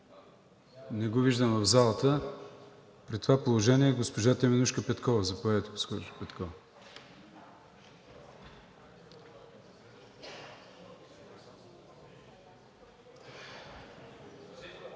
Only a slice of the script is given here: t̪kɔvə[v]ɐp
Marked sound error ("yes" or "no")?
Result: yes